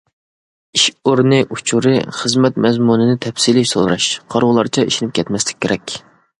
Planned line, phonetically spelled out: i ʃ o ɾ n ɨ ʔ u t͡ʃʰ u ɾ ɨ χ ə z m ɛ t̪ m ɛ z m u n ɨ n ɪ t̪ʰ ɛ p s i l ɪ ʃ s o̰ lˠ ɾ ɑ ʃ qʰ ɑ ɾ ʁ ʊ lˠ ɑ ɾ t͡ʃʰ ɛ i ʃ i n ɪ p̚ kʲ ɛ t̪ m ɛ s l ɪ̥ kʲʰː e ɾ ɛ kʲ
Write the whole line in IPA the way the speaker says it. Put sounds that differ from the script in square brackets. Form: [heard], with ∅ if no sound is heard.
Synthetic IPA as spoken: i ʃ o ɾ n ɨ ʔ u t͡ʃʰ u ɾ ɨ χ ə z m ɛ t̪ m ɛ z m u n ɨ n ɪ t̪ʰ ɛ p s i l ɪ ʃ s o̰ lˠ ɾ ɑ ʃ qʰ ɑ ɾ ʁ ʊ lˠ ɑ ɾ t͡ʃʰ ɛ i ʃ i n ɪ p̚ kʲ ɛ t̪ m ɛ s l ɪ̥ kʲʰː e ɾ ɛ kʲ